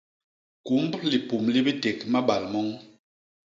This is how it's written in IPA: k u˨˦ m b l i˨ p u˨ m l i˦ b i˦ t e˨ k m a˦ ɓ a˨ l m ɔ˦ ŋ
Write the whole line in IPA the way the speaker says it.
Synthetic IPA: k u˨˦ m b l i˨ p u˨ m l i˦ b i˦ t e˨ k m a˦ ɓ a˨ l m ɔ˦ ŋ